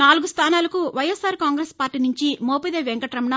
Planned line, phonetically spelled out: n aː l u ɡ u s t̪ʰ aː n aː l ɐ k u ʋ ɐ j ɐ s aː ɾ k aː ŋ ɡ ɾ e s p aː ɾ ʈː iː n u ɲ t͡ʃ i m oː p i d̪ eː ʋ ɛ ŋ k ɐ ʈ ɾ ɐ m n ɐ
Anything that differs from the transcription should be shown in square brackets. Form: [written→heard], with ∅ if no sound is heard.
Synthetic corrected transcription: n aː l u ɡ u s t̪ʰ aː n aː l ɐ k u ʋ ɐ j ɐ s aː ɾ k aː ŋ ɡ ɾ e s p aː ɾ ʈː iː n u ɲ t͡ʃ i m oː p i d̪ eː ʋ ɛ ŋ k ɐ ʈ ɾ ɐ m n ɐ